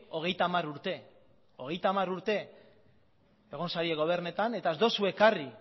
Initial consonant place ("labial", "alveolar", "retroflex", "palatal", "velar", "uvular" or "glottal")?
velar